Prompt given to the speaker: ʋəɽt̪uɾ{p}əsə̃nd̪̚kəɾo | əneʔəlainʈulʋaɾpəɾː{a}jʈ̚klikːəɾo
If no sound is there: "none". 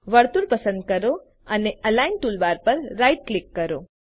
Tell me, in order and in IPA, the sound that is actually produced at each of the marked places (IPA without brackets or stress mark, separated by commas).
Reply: p, a